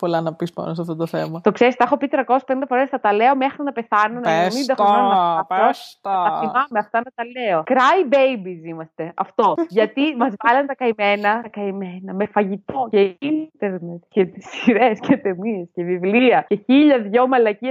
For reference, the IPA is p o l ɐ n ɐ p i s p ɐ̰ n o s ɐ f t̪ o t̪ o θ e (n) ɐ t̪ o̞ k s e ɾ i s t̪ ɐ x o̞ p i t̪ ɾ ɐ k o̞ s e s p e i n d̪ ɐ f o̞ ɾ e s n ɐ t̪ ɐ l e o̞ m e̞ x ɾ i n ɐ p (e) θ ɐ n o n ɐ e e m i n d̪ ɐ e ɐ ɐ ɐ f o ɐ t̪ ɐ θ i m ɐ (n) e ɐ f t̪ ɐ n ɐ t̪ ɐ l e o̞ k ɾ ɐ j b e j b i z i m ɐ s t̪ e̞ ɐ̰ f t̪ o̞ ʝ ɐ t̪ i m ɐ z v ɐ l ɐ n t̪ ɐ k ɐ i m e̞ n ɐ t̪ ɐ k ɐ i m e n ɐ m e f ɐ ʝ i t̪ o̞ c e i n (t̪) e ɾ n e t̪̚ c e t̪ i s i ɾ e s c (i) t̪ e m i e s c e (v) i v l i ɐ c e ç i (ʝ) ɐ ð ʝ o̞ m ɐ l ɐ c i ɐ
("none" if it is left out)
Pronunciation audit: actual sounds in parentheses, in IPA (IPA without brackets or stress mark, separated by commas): m, e, m, t̪, e, v, ʎ